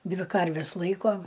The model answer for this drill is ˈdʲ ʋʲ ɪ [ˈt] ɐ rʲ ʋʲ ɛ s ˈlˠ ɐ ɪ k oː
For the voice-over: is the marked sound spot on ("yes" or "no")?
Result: no